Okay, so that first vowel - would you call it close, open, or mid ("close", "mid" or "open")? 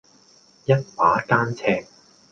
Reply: open